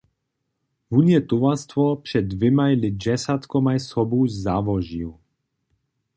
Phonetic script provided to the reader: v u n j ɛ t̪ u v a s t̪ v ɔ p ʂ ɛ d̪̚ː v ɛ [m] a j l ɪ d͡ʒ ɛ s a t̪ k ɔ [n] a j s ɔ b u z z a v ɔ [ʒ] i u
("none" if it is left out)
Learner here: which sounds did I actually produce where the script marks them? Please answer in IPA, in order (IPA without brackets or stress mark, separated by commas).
m, m, ʒ